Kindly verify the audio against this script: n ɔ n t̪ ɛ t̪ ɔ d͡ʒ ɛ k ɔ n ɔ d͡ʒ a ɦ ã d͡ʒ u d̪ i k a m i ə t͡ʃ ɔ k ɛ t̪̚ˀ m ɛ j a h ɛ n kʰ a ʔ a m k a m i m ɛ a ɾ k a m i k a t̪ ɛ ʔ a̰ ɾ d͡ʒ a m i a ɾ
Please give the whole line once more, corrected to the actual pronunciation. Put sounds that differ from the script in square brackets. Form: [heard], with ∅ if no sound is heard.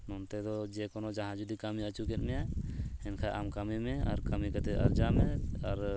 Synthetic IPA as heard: n ɔ n t̪ ɛ [d̪] ɔ d͡ʒ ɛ k ɔ n ɔ d͡ʒ a ɦ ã d͡ʒ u d̪ i k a m i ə t͡ʃ [u] k ɛ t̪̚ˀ m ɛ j a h ɛ n kʰ a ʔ a m k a m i m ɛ a ɾ k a m i k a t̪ ɛ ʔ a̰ ɾ d͡ʒ a m [ɛ] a ɾ